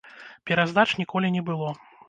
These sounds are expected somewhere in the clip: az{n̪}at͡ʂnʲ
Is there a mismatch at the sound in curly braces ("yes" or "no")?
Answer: yes